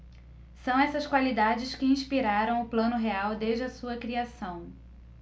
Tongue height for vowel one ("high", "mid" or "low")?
low